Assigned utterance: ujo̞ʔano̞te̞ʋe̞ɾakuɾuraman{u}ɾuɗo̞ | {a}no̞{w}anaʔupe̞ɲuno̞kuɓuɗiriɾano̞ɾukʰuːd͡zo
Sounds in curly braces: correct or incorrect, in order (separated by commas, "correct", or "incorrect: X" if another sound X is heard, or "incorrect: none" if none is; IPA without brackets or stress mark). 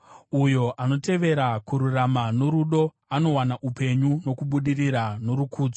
incorrect: o, correct, correct